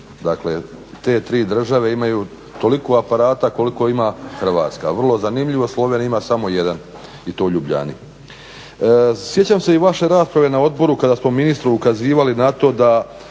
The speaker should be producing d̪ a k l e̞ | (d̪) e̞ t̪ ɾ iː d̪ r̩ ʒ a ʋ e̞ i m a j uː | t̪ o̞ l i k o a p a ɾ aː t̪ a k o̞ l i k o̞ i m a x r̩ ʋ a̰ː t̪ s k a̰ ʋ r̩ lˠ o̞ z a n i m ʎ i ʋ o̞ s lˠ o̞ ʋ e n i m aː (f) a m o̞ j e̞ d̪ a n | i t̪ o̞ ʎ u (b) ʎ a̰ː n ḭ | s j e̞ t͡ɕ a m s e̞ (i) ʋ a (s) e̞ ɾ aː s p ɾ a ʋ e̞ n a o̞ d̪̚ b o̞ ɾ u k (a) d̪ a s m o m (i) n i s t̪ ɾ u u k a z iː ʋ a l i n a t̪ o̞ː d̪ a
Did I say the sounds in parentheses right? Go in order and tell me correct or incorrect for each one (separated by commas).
incorrect, incorrect, correct, correct, incorrect, correct, correct